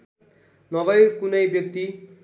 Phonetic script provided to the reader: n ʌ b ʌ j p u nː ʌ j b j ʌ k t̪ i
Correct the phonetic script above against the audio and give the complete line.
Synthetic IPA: n ʌ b ʌ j k u n ʌ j b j ʌ k t̪ i